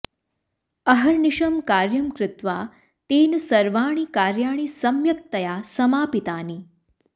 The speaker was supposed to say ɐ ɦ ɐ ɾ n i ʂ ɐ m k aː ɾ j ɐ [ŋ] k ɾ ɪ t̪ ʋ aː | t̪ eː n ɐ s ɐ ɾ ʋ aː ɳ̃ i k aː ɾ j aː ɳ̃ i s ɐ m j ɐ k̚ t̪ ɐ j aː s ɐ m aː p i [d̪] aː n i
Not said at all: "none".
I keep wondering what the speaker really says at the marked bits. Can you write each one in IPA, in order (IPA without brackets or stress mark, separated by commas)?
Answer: m, t̪